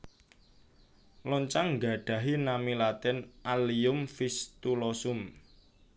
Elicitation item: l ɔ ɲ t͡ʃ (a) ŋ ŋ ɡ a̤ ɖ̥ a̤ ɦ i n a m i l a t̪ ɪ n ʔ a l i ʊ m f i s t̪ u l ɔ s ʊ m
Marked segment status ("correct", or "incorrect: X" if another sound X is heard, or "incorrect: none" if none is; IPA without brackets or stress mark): correct